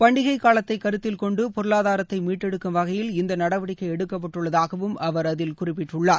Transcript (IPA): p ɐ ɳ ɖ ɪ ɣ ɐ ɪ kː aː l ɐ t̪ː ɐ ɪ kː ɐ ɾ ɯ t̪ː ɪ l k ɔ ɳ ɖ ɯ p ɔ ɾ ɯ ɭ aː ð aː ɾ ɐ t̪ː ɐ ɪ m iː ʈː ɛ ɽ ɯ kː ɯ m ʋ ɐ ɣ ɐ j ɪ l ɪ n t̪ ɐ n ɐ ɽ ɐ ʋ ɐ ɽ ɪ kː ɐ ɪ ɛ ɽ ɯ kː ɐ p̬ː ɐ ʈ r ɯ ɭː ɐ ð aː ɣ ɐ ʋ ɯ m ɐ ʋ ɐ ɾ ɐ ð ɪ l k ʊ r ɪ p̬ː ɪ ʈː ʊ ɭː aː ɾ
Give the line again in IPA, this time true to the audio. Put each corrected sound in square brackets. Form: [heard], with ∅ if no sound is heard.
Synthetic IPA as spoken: p ɐ ɳ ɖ ɪ ɣ ɐ ɪ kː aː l ɐ t̪ː ɐ ɪ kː ɐ ɾ ɯ t̪ː ɪ l k ɔ ɳ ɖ ɯ p ɔ ɾ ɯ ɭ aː ð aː ɾ ɐ t̪ː ɐ ɪ m iː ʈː ɛ ɽ ɯ kː ɯ m ʋ ɐ ɣ ɐ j ɪ l ɪ n [d̪] ɐ n ɐ ɽ ɐ ʋ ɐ ɽ ɪ kː ɐ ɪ ɛ ɽ ɯ kː ɐ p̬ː ɐ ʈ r ɯ ɭː ɐ ð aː ɣ ɐ ʋ ɯ m ɐ ʋ ɐ ɾ ɐ ð ɪ l k ʊ r ɪ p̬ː ɪ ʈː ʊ ɭː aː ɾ